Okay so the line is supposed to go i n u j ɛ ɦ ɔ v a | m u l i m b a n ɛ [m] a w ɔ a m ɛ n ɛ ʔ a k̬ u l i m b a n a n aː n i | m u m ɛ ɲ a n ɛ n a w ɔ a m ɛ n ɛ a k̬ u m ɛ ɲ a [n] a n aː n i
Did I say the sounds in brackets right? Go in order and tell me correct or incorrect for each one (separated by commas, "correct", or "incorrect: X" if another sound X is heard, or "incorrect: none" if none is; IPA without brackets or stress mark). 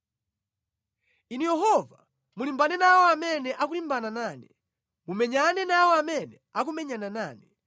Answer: incorrect: n, correct